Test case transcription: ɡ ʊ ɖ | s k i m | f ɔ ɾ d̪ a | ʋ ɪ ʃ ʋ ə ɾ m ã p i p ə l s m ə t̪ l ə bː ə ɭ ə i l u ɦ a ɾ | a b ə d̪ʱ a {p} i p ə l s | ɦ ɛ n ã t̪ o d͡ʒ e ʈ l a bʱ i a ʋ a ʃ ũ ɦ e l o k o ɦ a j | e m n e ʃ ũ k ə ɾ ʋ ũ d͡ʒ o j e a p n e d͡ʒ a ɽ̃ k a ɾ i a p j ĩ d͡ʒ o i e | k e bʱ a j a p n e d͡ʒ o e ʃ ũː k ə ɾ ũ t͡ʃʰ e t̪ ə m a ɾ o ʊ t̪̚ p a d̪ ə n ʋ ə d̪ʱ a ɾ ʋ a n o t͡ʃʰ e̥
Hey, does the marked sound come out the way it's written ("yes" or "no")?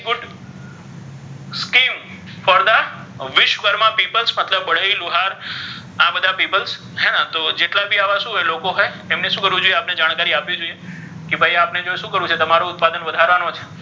yes